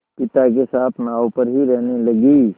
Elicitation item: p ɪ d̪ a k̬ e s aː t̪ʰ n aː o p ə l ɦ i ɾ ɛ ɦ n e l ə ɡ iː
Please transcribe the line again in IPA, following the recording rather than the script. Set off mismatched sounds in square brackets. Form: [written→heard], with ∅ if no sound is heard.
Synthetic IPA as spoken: p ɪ [d̪→t̪] a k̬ e s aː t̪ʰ n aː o p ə [l→ɾ] ɦ i ɾ ɛ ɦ n e l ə ɡ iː